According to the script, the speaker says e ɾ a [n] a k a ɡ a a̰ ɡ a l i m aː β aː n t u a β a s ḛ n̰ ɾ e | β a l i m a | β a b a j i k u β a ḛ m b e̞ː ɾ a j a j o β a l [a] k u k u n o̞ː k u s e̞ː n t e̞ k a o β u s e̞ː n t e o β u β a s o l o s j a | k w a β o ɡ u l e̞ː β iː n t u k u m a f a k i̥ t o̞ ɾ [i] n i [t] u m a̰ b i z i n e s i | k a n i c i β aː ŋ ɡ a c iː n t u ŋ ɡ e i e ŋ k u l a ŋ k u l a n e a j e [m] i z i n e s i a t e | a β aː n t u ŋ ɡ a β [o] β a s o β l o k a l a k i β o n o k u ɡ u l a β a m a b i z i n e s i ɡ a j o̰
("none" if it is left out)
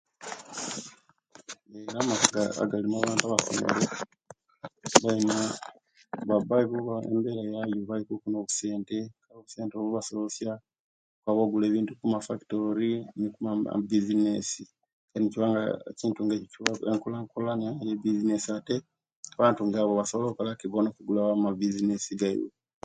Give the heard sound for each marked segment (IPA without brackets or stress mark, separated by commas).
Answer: m, i, i, k, b, o